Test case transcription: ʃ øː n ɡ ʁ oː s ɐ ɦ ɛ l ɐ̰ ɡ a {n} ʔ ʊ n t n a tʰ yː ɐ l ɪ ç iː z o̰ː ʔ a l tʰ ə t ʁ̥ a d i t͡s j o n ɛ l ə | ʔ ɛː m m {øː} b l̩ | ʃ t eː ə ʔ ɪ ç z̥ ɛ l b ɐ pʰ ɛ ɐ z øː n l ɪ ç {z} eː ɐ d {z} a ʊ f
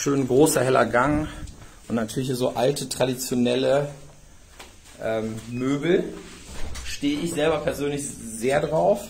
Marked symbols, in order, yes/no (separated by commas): no, yes, yes, no